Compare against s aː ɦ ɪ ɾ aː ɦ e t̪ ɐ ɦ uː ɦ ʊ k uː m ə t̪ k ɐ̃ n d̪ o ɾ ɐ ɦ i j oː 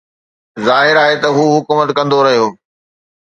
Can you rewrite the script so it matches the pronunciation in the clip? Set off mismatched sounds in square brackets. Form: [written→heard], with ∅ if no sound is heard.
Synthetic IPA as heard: [s→z] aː ɦ ɪ ɾ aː ɦ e t̪ ɐ ɦ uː ɦ ʊ k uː m ə t̪ k ɐ̃ n d̪ o ɾ ɐ ɦ i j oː